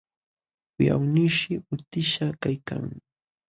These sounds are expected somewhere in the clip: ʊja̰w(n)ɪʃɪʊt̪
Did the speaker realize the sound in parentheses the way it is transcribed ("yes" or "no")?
yes